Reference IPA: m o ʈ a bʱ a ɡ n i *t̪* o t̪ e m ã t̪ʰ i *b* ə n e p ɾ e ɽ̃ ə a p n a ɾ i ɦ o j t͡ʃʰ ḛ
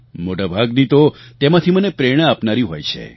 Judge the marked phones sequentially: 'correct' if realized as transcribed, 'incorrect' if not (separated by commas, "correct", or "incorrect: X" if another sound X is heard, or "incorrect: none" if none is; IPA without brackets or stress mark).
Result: correct, incorrect: m